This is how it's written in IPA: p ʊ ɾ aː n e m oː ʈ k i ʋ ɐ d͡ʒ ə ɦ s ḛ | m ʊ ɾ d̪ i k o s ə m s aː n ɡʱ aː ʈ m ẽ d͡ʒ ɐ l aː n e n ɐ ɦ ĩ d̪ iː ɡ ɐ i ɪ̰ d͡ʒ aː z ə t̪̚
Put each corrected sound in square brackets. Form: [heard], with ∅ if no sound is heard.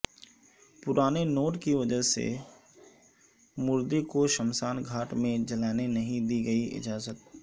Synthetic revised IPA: p ʊ ɾ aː n e [n] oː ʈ k i ʋ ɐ d͡ʒ ə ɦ s ḛ | m ʊ ɾ d̪ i k o [ʃ] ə m s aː n ɡʱ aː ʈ m ẽ d͡ʒ ɐ l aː n e n ɐ ɦ ĩ d̪ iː ɡ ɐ i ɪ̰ d͡ʒ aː z ə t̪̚